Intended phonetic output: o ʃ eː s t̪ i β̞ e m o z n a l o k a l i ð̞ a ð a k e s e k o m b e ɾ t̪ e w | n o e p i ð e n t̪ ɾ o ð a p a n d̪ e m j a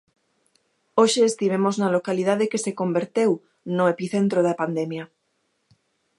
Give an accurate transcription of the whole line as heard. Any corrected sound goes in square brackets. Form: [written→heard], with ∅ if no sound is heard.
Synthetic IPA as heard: o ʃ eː s t̪ i β̞ e m o z n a l o k a l i ð̞ a ð [a→e] k e s e k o m b e ɾ t̪ e w | n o e p i [ð→θ] e n t̪ ɾ o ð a p a n d̪ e m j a